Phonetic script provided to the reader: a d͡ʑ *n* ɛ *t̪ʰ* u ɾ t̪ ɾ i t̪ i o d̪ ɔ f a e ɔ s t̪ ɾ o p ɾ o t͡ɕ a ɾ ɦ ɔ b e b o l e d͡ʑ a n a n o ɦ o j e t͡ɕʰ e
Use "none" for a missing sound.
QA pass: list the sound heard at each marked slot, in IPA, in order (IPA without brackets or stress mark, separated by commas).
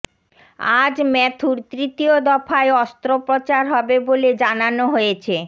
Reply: m, t̪ʰ